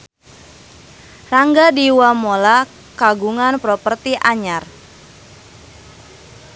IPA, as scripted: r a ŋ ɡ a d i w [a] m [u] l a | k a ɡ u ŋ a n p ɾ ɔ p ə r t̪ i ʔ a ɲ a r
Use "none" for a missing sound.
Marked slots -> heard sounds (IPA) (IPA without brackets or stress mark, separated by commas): a, o